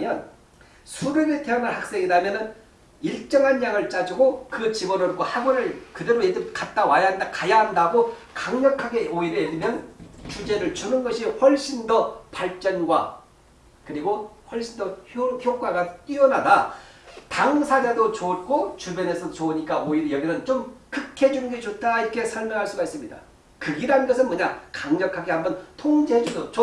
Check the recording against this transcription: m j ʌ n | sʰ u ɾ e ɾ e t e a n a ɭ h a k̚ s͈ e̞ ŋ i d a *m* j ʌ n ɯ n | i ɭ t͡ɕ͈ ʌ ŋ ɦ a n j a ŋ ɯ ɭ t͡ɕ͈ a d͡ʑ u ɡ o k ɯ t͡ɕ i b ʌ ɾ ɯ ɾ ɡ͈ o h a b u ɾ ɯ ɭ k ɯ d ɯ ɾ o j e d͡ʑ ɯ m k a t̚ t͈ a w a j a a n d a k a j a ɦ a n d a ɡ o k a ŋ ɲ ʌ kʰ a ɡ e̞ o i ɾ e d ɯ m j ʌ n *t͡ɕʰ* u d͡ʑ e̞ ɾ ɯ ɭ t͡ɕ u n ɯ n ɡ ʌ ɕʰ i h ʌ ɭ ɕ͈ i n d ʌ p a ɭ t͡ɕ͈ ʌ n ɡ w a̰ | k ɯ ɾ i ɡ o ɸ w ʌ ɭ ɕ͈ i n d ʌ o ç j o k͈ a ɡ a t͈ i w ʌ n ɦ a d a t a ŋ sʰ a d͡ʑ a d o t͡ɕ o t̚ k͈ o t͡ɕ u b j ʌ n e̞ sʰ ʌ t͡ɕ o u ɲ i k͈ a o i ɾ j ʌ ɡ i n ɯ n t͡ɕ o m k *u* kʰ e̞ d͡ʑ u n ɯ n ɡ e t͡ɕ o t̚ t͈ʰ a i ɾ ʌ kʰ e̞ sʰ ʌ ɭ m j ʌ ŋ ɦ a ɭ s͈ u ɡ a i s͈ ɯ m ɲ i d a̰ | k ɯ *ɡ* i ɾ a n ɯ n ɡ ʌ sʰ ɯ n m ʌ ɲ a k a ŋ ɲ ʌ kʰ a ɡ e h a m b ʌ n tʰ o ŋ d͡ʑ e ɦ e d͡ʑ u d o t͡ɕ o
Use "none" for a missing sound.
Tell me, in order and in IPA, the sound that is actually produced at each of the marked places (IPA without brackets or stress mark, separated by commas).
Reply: m, t͡ɕ, ɯ, ɡ